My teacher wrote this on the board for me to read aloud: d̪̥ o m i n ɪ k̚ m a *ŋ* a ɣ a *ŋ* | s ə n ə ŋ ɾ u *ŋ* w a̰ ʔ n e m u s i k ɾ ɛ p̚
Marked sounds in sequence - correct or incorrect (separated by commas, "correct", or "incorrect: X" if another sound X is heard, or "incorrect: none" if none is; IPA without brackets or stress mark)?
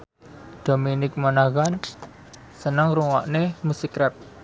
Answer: incorrect: n, incorrect: n, correct